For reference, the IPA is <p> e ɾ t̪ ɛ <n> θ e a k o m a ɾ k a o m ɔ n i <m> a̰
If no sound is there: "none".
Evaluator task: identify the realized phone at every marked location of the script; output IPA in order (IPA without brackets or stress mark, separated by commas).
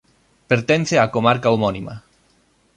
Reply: p, n, m